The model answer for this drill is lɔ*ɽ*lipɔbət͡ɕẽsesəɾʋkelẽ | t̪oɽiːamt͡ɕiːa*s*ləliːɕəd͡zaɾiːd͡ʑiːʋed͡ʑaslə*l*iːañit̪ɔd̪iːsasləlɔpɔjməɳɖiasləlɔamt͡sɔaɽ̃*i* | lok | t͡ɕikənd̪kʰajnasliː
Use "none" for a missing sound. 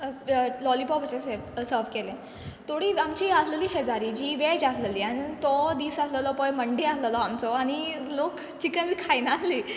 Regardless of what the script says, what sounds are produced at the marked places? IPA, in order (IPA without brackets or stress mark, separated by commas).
none, s, l, i